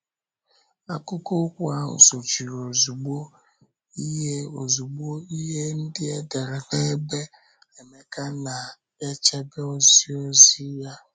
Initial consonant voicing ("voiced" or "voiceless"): voiceless